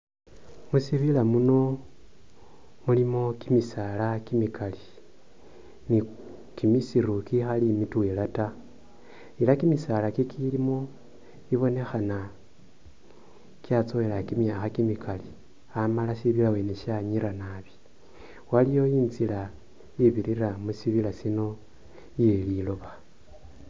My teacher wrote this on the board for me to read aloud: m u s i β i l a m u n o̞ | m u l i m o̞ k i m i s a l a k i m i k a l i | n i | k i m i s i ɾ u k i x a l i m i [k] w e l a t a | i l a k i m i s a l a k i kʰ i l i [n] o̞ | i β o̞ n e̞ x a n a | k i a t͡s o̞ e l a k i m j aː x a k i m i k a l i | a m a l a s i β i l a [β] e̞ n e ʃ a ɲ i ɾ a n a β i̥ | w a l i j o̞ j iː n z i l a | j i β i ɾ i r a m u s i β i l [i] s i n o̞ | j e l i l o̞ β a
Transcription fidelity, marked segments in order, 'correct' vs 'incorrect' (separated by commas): incorrect, incorrect, incorrect, incorrect